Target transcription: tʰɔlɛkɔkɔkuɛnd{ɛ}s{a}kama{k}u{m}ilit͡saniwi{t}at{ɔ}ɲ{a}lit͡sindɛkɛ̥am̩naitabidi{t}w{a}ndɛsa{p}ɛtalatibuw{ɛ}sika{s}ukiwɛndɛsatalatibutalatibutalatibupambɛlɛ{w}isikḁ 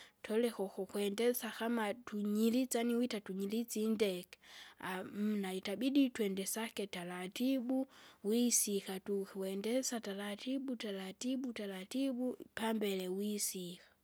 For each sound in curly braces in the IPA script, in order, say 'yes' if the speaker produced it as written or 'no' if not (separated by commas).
yes, yes, no, no, yes, no, no, yes, no, no, no, no, yes